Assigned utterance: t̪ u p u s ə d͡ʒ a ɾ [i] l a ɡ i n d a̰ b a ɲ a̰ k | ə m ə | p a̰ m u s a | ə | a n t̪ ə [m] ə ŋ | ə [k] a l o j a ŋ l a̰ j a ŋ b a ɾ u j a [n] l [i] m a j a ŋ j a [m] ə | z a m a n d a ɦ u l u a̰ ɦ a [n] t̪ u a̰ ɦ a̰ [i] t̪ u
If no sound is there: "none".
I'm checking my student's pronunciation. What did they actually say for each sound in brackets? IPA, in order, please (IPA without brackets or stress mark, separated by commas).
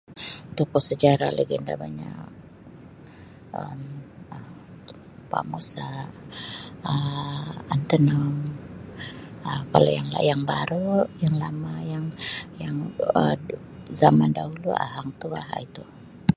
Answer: a, n, k, ŋ, a, ŋ, ŋ, i